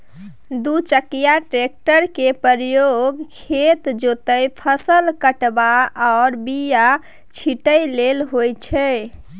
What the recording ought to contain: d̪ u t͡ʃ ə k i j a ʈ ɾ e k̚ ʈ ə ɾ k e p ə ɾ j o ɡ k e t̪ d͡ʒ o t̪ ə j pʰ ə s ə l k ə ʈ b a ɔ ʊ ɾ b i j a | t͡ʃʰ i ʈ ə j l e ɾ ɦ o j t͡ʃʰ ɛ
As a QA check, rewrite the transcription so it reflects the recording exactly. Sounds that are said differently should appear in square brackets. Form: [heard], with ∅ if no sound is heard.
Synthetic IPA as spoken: d̪ u t͡ʃ ə k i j a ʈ ɾ e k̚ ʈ ə ɾ k e p ə ɾ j o ɡ [kʰ] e t̪ d͡ʒ o t̪ ə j pʰ ə s ə l k ə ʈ b a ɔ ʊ ɾ b i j a | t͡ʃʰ i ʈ ə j l e [l] ɦ o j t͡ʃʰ ɛ